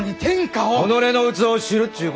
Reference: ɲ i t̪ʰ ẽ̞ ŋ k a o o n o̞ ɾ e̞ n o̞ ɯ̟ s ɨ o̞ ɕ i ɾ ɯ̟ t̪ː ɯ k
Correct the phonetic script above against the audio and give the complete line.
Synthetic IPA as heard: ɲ i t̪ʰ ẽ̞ ŋ k a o o n o̞ ɾ e̞ n o̞ ɯ̟ t͡s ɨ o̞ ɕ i ɾ ɯ̟ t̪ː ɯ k